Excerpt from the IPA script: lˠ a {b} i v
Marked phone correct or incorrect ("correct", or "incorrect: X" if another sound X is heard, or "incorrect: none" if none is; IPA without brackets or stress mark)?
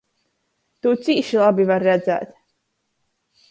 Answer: correct